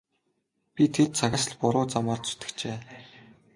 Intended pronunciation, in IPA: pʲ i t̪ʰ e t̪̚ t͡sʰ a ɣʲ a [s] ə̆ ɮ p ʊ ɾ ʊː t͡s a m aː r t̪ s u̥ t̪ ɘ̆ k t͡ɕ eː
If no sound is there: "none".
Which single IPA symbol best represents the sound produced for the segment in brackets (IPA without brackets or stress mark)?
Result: s